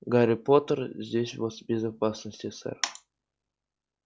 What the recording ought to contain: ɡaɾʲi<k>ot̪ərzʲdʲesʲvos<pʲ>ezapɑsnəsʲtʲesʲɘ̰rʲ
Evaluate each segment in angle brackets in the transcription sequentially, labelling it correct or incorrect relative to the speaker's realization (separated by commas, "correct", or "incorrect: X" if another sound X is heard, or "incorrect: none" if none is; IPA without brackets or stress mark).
incorrect: p, incorrect: bʲ